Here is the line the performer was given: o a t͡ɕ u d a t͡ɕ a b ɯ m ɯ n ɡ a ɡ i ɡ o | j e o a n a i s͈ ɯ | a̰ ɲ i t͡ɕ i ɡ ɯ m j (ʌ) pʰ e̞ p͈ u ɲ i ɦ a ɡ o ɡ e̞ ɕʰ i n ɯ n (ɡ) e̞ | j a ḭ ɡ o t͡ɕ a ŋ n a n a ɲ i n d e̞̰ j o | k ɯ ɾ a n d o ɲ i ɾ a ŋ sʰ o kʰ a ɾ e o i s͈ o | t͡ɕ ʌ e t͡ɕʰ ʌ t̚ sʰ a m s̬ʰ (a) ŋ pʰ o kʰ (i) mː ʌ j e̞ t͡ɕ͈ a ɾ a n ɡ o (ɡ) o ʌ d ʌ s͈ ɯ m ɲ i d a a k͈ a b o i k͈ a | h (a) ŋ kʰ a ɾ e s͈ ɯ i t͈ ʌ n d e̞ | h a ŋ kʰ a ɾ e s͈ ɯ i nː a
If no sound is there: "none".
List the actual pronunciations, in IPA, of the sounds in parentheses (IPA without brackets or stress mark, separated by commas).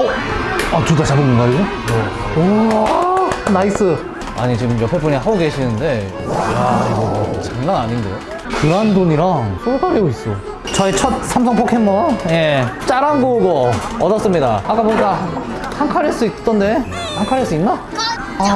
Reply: ʌ, d, ʌ, e, ɡ, a